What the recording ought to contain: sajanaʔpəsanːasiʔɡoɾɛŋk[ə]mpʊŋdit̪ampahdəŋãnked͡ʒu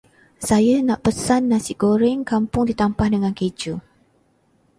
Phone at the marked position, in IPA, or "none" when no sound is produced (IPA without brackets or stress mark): a